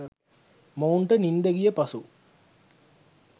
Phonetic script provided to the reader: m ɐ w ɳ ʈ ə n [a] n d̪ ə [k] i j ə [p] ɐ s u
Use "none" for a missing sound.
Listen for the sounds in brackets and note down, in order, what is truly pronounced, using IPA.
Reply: i, ɡ, p

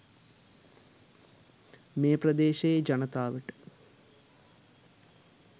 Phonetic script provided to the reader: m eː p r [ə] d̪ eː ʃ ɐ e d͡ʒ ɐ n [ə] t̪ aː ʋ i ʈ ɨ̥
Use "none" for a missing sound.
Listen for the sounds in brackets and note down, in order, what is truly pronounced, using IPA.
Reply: ɐ, ɐ

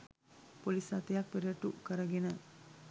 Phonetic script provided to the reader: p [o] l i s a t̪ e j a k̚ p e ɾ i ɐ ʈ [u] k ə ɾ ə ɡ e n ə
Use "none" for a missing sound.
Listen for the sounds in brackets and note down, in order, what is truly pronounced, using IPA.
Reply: o, u

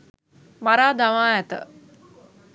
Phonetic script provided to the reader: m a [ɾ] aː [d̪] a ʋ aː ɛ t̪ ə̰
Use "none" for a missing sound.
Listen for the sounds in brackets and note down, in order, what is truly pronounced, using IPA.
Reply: ɾ, d̪

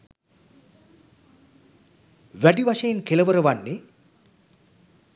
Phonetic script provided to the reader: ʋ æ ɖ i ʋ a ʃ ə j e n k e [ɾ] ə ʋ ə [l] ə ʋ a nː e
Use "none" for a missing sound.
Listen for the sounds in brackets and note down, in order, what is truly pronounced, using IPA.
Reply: l, ɾ

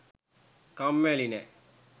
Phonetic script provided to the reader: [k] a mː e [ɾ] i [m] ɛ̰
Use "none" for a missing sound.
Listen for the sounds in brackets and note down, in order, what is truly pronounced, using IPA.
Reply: k, l, n

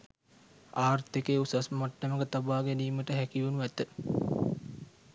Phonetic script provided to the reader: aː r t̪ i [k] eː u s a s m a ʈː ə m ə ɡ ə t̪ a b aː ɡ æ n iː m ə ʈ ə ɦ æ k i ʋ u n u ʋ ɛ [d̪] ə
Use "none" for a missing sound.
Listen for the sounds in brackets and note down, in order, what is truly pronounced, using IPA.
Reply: k, t̪

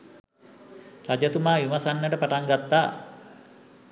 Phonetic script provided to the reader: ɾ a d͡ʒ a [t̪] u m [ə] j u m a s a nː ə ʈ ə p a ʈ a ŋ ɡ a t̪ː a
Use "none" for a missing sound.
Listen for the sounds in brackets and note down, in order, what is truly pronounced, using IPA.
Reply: t̪, a

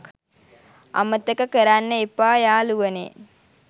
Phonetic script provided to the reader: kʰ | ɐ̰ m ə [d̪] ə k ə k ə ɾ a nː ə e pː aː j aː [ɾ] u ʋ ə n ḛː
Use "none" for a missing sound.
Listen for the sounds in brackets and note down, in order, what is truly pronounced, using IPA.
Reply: t̪, l

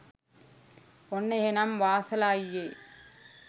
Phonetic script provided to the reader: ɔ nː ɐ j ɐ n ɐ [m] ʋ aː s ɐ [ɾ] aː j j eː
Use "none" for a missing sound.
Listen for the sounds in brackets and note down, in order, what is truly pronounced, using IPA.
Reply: m, l

